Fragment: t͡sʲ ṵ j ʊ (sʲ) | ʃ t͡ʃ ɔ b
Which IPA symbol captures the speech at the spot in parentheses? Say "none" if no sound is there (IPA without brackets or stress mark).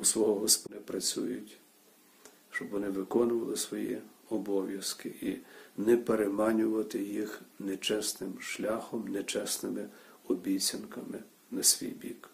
tʲ